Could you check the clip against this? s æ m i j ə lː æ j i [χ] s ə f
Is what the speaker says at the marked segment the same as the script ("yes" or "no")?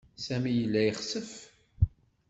yes